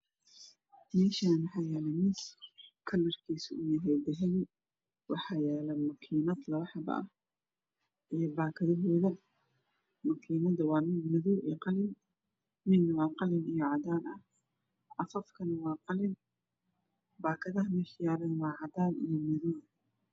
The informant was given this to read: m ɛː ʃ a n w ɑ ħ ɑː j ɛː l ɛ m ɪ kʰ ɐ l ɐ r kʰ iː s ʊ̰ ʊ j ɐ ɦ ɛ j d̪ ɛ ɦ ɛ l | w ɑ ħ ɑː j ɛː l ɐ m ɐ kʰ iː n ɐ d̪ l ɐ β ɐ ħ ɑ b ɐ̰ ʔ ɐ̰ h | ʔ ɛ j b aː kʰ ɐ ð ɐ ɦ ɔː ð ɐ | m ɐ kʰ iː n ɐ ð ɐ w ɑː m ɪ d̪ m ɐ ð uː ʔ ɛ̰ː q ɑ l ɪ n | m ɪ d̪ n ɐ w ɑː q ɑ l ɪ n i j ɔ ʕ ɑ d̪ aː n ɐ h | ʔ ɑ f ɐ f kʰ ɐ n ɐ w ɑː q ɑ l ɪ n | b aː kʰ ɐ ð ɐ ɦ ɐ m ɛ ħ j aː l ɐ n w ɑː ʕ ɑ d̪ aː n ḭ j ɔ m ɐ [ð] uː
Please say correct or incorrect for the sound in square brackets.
correct